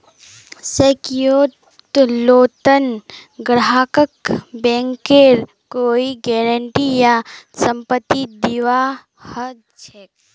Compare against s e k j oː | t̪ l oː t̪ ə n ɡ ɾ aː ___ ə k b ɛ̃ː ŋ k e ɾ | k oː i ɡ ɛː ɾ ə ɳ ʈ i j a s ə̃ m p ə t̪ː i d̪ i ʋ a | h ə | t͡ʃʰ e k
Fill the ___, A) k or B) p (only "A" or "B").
A